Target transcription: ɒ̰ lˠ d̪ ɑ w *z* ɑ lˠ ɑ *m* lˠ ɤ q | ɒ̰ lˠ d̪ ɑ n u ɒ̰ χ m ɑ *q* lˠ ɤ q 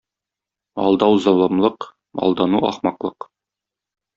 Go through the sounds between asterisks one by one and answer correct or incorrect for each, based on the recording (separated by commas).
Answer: correct, correct, correct